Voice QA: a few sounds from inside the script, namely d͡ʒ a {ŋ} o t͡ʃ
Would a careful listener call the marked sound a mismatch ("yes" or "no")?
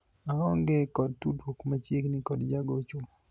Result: yes